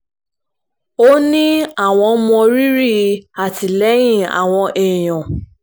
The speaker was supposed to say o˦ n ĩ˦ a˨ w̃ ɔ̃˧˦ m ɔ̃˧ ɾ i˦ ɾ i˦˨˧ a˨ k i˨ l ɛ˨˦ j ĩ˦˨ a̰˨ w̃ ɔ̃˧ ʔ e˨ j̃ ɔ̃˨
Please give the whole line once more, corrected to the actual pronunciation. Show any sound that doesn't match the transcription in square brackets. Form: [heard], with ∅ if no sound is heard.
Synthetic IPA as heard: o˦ n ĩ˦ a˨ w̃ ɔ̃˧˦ m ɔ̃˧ ɾ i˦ ɾ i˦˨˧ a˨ [t] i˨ l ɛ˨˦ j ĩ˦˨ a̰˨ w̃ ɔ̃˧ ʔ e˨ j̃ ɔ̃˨